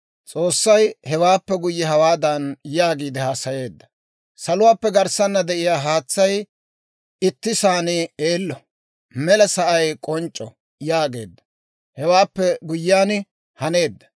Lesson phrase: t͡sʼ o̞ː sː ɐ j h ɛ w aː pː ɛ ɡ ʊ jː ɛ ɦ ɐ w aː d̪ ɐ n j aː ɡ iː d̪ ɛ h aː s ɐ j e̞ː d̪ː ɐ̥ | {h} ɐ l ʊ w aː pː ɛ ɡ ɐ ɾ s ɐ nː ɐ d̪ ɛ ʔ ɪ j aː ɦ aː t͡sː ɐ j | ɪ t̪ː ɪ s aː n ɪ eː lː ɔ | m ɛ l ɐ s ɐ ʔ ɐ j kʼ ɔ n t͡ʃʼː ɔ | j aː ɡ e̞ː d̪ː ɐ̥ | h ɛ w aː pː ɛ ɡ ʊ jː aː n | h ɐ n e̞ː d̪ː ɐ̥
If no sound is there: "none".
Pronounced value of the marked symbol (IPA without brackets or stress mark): s